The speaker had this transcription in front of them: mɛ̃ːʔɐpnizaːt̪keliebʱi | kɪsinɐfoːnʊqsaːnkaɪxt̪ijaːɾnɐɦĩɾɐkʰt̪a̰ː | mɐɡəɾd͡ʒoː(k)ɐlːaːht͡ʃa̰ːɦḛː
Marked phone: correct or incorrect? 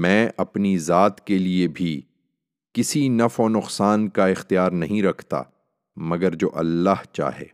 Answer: incorrect